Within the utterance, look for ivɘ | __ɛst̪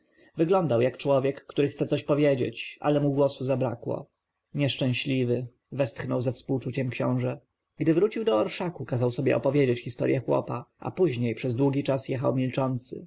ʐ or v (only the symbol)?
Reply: v